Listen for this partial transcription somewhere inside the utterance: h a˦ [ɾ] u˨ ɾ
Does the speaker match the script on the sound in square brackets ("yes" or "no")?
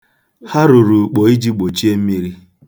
yes